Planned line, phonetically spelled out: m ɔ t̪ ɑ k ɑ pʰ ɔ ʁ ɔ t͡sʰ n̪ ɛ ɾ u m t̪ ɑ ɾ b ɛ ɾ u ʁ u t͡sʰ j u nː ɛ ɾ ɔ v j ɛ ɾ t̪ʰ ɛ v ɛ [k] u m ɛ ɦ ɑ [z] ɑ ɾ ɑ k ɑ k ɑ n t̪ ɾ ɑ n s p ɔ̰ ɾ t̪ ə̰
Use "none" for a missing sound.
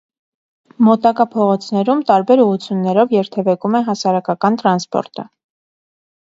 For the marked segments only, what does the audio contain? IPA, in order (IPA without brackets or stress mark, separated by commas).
k, s